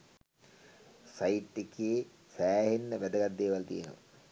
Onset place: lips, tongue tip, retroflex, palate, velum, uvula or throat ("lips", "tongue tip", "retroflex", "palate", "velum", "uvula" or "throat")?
tongue tip